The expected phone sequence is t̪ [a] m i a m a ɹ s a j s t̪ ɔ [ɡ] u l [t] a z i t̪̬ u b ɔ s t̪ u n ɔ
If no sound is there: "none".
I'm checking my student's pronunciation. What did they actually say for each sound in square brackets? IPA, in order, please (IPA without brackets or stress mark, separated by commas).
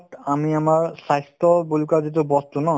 a, b, k